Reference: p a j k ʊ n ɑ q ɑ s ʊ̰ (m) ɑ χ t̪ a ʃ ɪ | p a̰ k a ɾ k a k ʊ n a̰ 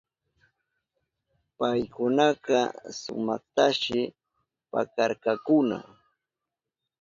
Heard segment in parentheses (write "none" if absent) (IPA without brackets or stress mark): m